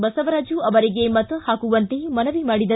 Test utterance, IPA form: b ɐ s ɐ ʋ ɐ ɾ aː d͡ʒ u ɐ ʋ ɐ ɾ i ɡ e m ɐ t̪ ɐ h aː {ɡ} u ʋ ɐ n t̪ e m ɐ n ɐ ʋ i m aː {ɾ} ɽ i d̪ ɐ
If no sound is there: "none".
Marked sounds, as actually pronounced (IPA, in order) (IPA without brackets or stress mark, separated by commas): k, none